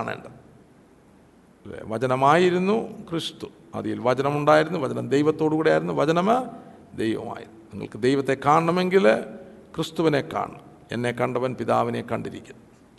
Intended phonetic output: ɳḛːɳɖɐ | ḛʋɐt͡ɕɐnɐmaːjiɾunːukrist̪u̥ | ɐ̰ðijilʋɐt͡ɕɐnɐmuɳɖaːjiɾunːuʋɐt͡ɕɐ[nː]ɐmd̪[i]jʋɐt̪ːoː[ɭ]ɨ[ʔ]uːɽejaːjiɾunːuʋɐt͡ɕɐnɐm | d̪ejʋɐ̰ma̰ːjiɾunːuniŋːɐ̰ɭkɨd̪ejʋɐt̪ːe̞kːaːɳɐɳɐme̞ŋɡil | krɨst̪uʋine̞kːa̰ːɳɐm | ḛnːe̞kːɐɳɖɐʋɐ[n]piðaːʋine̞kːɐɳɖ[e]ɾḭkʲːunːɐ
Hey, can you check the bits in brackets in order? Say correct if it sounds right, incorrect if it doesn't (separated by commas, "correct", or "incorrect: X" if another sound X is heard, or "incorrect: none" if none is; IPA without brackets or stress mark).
incorrect: n, incorrect: e, incorrect: ɽ, incorrect: k, correct, incorrect: i